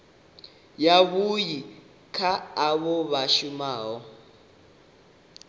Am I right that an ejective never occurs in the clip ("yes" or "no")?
yes